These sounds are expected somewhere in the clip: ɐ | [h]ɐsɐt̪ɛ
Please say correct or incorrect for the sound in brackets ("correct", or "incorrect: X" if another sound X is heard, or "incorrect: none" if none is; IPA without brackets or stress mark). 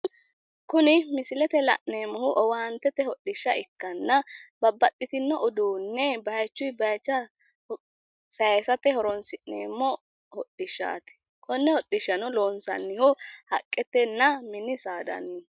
incorrect: s